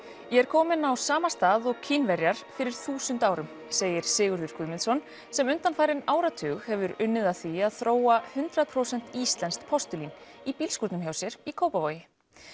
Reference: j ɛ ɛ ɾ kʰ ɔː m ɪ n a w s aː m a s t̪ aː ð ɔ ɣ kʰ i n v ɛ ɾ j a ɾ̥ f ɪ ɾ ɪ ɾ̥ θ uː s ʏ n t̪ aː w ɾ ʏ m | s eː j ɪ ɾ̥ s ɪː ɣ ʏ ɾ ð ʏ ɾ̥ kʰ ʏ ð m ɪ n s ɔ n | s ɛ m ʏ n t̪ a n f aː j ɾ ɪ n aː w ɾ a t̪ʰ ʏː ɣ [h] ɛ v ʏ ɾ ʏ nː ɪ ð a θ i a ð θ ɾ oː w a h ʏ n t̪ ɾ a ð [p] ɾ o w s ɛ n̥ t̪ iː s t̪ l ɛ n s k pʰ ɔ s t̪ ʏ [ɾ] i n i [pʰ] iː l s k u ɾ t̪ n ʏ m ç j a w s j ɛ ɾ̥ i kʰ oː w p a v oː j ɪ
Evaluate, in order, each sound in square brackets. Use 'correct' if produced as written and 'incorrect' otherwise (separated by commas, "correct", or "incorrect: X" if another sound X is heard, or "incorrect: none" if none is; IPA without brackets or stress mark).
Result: correct, incorrect: pʰ, incorrect: l, incorrect: p